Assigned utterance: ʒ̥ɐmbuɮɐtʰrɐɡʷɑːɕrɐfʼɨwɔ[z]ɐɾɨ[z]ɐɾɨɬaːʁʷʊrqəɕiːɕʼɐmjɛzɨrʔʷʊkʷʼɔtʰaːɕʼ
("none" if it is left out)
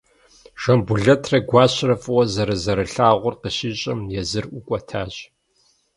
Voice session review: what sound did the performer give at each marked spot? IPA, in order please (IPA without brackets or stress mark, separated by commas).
z, z